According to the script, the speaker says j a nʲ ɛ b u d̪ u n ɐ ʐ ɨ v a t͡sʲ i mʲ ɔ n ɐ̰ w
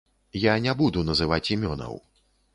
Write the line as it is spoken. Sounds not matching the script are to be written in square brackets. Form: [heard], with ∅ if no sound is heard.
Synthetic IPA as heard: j a nʲ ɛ b u d̪ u n ɐ [z] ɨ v a t͡sʲ i mʲ ɔ n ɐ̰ w